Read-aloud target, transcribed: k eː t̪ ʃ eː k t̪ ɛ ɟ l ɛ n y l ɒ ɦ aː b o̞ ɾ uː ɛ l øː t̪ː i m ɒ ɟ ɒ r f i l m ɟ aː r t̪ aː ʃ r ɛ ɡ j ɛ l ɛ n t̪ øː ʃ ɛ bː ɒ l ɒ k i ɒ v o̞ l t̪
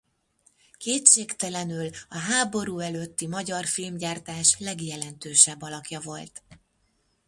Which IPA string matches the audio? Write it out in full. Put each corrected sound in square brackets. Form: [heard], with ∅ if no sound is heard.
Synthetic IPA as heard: k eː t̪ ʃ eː k t̪ ɛ [∅] l ɛ n y l ɒ ɦ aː b o̞ ɾ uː ɛ l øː t̪ː i m ɒ ɟ ɒ r f i l m ɟ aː r t̪ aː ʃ [l] ɛ ɡ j ɛ l ɛ n t̪ øː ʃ ɛ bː ɒ l ɒ k [j] ɒ v o̞ l t̪